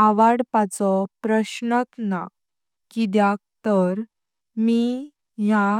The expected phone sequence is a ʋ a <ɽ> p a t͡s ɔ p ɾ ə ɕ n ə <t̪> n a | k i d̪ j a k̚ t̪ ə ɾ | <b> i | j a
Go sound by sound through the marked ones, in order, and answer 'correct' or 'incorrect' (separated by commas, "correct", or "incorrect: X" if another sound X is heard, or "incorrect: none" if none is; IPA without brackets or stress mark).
correct, correct, incorrect: m